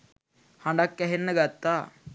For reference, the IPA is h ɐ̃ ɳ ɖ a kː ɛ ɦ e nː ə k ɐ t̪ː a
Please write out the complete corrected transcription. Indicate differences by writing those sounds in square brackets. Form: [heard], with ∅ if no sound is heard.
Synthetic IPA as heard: h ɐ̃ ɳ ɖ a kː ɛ ɦ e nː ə [ɡ] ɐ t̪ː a